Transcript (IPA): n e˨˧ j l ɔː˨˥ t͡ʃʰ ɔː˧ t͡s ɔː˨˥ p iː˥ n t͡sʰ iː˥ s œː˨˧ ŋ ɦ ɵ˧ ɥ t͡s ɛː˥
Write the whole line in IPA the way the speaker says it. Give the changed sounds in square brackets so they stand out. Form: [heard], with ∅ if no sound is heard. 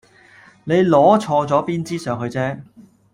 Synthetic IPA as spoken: n e˨˧ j l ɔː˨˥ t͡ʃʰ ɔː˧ t͡s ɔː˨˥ p iː˥ n [t͡s] iː˥ s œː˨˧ ŋ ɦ ɵ˧ ɥ t͡s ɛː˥

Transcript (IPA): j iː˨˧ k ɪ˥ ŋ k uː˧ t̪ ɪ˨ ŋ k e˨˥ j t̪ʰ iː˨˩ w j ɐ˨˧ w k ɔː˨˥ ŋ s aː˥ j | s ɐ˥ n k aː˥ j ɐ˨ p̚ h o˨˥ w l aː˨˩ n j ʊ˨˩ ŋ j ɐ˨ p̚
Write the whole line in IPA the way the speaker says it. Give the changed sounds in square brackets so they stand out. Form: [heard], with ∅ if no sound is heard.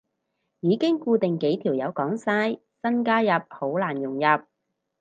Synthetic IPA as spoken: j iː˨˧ k ɪ˥ ŋ k uː˧ t̪ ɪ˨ ŋ k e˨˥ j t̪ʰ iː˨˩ w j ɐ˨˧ w k ɔː˨˥ ŋ s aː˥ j | s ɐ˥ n k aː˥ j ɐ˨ p̚ h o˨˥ w l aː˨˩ n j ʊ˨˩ ŋ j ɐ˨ p̚

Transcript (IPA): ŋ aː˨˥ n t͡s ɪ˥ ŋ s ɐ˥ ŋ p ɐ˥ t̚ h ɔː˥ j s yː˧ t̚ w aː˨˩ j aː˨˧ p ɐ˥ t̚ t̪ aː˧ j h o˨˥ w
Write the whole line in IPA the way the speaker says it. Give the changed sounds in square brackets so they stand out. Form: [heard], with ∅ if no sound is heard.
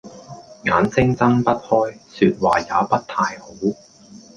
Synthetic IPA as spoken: ŋ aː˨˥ n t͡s ɪ˥ ŋ [t͡s] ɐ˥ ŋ p ɐ˥ t̚ h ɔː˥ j s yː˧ t̚ w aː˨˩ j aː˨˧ p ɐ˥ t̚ [t̪ʰ] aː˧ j h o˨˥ w

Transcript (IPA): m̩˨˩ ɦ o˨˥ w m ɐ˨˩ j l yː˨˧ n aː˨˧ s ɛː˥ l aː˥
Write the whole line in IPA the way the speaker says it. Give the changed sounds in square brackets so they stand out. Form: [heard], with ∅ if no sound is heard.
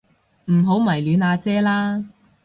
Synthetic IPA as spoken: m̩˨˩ ɦ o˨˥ w m ɐ˨˩ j l yː˨˧ n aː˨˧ [t͡s] ɛː˥ l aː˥

